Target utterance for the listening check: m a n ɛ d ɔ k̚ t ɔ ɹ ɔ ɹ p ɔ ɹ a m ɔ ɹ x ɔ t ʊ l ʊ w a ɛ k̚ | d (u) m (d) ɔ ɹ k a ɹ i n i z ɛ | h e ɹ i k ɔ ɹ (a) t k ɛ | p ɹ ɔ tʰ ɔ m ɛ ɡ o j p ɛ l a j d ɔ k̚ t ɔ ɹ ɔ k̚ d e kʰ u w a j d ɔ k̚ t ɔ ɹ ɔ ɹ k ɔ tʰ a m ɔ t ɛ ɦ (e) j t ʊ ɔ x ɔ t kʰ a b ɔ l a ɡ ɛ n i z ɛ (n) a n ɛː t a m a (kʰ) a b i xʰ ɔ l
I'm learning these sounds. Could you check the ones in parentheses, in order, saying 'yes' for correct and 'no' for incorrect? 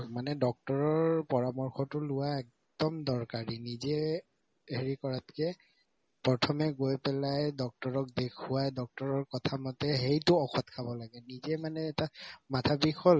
no, yes, yes, yes, no, no

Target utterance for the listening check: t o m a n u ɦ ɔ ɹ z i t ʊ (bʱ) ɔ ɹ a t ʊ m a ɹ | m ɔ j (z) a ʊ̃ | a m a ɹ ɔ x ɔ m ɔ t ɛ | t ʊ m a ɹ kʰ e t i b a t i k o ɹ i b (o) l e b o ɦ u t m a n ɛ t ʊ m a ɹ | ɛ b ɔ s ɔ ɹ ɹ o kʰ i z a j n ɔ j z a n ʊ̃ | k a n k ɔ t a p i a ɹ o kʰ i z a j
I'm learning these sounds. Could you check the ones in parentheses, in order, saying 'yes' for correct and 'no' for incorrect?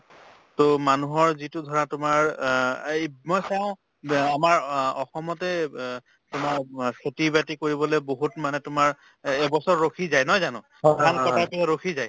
no, no, no

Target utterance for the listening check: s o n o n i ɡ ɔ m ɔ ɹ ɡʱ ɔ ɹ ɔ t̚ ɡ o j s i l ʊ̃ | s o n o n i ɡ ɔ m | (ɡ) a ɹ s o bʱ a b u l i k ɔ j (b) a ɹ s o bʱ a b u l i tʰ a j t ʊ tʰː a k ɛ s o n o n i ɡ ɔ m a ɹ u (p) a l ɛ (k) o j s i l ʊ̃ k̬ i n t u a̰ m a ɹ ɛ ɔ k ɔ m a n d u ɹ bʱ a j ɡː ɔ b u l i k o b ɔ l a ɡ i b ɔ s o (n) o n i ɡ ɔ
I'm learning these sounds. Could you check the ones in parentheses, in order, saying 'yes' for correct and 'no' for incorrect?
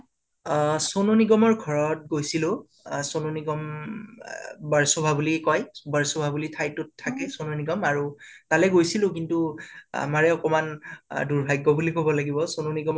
no, yes, no, no, yes

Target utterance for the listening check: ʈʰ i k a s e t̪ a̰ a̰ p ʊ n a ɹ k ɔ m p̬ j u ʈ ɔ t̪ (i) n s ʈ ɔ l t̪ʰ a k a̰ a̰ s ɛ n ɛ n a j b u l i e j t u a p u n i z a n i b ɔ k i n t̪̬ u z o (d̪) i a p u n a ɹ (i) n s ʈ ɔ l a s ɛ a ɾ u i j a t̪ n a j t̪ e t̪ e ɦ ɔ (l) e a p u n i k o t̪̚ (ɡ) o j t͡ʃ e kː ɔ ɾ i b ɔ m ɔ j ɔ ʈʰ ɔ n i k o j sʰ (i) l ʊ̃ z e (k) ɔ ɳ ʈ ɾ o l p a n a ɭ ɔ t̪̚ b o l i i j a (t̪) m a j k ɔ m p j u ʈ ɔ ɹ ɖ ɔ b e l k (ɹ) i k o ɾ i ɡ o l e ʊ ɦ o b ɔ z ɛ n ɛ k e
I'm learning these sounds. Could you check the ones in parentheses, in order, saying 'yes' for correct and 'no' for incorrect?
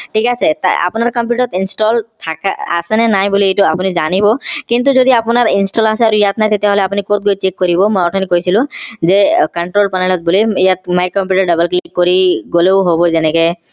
yes, yes, yes, yes, yes, yes, yes, yes, no

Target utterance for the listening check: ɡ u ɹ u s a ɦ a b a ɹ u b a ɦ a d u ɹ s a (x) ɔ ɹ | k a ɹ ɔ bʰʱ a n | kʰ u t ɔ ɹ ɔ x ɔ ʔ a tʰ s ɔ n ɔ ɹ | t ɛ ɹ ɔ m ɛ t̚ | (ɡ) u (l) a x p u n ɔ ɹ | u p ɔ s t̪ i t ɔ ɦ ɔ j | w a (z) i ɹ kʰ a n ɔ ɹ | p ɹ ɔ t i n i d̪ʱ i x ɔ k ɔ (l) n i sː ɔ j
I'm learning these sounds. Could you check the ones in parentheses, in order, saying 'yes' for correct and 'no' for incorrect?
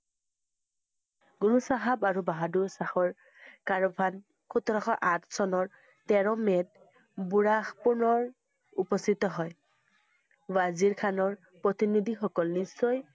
yes, no, no, yes, yes

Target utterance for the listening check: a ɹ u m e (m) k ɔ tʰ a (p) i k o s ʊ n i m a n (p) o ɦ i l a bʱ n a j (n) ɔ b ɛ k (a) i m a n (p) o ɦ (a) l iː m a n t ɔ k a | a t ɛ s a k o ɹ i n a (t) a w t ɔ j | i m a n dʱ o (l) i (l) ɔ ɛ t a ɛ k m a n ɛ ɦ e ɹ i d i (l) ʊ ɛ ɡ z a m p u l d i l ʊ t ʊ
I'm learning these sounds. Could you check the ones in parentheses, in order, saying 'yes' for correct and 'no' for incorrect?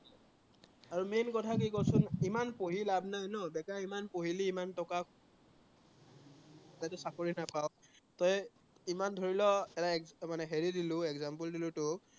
no, no, yes, yes, yes, yes, no, no, no, yes, yes

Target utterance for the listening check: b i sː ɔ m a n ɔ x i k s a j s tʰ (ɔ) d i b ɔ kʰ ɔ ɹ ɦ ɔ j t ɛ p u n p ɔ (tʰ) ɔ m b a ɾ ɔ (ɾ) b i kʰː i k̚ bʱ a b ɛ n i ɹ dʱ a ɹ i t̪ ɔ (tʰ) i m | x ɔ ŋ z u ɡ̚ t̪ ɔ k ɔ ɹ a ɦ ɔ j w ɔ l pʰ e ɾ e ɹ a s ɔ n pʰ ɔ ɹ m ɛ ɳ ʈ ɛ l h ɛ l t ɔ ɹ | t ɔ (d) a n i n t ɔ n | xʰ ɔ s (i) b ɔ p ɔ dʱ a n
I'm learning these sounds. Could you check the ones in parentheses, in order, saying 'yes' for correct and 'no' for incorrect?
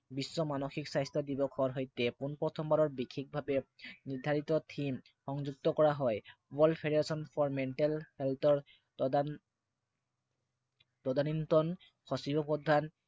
yes, yes, no, yes, yes, yes

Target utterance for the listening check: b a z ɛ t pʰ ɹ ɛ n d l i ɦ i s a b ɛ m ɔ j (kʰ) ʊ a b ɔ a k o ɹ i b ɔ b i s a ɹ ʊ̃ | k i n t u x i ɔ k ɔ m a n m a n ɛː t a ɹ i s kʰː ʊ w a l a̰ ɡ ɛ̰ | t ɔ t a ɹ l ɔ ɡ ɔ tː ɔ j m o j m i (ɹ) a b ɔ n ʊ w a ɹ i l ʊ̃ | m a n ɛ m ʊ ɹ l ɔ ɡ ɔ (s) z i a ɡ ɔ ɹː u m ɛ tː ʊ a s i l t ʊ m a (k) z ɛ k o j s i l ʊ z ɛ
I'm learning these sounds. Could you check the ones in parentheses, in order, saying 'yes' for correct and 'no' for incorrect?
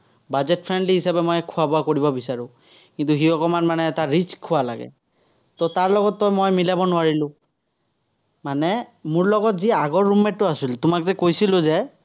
yes, no, no, yes

